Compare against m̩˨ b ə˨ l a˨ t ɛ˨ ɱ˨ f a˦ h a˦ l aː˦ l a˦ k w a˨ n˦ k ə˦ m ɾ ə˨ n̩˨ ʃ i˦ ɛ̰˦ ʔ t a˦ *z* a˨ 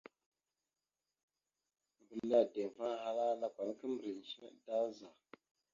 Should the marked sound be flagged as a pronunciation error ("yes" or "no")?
no